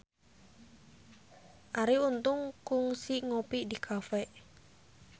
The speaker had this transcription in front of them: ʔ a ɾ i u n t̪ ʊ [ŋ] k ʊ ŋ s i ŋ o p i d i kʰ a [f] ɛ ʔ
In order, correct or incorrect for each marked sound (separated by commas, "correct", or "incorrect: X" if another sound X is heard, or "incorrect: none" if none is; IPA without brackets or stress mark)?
correct, correct